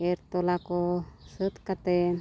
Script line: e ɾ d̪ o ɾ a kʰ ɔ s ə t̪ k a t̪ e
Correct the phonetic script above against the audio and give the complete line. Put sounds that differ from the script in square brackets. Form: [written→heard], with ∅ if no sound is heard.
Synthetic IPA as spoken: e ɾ [d̪→t̪] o [ɾ→l] a [kʰ→k] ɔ s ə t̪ k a t̪ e